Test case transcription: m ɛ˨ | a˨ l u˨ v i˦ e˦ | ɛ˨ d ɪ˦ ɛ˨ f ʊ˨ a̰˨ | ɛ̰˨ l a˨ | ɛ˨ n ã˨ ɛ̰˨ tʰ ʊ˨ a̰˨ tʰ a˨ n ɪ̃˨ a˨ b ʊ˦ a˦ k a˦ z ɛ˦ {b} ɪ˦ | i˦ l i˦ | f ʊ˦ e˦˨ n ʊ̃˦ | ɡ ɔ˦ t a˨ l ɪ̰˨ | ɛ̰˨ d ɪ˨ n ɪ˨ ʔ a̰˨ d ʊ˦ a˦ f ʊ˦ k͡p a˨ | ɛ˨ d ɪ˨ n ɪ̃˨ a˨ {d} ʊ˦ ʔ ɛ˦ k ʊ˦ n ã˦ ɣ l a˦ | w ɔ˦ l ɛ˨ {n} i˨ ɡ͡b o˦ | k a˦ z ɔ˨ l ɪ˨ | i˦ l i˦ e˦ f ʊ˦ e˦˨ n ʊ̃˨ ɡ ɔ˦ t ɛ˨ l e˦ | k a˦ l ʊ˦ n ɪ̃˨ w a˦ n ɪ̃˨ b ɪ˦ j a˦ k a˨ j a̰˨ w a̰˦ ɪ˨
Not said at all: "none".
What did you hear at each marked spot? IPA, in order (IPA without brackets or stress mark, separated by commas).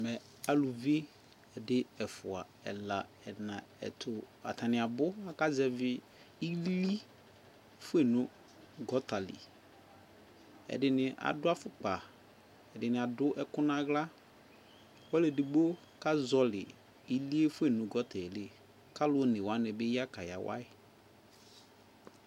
v, d, d